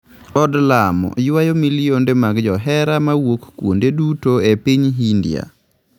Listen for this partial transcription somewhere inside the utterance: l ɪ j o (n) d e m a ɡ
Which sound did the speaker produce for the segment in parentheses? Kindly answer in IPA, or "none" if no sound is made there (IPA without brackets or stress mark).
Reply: n